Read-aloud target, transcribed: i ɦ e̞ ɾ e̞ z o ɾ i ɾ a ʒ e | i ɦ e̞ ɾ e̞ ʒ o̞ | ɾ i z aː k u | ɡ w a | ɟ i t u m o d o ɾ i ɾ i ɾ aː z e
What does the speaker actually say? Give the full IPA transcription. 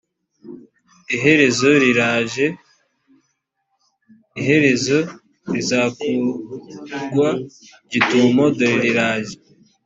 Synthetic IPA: i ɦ e̞ ɾ e̞ z o ɾ i ɾ a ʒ e | i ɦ e̞ ɾ e̞ z o̞ | ɾ i z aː k u | ɡ w a | ɟ i t u m o d o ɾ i ɾ i ɾ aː ʒ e